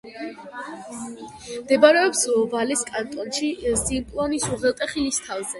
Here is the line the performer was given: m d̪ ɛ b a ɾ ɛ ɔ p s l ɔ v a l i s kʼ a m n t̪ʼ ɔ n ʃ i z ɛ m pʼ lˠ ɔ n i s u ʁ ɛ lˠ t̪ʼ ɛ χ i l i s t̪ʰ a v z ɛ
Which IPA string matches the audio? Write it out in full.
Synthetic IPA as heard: m d̪ ɛ b a ɾ ɛ ɔ p s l ɔ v a l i s kʼ a n t̪ʼ ɔ n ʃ i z i m pʼ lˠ ɔ n i s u ʁ ɛ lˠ t̪ʼ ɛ χ i l i s t̪ʰ a v z ɛ